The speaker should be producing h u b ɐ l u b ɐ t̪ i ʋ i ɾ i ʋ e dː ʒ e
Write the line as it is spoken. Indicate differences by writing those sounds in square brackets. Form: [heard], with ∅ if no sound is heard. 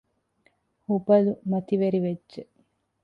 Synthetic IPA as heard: h u b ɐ l u [m] ɐ t̪ i ʋ [e] ɾ i ʋ e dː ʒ e